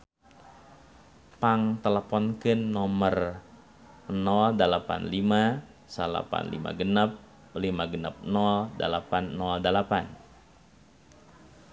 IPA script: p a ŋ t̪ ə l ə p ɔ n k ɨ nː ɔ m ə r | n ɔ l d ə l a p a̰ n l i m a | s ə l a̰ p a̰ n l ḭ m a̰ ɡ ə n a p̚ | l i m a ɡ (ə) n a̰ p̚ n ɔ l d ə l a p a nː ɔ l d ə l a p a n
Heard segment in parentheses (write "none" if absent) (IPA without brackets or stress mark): ə